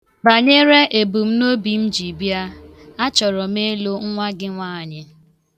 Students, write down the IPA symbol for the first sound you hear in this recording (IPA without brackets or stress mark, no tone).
b